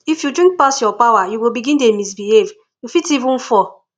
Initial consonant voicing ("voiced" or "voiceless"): voiceless